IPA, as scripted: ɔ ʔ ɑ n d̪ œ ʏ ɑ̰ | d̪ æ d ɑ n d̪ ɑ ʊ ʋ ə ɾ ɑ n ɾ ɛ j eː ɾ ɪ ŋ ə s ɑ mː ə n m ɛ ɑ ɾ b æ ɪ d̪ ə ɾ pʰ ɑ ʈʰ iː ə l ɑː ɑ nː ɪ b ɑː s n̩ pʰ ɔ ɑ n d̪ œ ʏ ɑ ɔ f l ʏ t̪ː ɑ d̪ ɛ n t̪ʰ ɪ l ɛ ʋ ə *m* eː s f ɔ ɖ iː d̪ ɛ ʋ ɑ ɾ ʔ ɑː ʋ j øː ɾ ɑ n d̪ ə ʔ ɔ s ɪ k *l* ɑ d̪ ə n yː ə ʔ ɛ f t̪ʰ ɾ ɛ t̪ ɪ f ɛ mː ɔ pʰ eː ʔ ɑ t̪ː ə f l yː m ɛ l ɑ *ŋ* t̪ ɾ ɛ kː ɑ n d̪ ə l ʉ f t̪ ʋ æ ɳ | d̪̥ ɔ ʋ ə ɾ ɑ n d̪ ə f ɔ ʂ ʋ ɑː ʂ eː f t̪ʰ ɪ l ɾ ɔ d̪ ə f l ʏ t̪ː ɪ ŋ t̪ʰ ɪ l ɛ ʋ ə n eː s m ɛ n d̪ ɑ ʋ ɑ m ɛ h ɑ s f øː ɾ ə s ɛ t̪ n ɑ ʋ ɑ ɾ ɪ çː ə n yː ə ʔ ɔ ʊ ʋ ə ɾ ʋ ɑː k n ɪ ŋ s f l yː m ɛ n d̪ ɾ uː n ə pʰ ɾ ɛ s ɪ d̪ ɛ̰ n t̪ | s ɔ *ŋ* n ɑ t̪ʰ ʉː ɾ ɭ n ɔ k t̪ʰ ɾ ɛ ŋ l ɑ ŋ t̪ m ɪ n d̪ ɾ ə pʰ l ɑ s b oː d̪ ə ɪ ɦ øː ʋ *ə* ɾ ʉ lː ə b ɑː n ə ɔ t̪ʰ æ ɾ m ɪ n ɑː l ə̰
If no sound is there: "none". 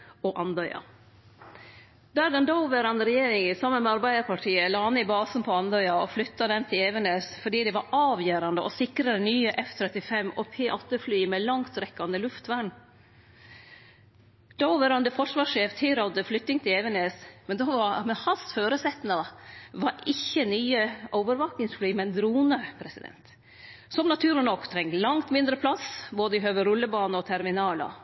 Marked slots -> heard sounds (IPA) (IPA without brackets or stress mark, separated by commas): n, ɾ, ŋ, m, ə